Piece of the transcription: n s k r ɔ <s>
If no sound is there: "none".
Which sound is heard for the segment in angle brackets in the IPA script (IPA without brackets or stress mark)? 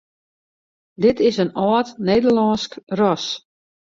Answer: s